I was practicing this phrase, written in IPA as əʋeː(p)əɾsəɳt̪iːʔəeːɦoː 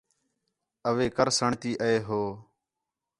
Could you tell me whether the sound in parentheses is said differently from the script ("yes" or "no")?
yes